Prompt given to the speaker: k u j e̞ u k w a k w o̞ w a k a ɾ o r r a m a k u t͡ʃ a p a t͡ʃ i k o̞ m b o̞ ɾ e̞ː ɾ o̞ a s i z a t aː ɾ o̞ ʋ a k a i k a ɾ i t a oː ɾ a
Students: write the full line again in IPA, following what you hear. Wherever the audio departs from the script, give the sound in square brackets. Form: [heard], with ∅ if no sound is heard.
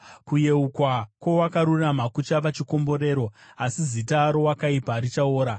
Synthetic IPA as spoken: k u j e̞ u k w a k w o̞ w a k a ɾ [u] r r a m a k u t͡ʃ a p a t͡ʃ i k o̞ m b o̞ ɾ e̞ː ɾ o̞ a s i z [i] t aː ɾ o̞ [w] a k a i [p] a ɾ i [t͡ʃ] a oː ɾ a